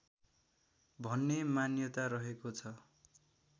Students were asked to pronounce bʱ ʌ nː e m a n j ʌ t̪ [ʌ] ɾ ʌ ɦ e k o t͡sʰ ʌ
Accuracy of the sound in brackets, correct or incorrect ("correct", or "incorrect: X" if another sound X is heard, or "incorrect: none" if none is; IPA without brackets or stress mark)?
incorrect: a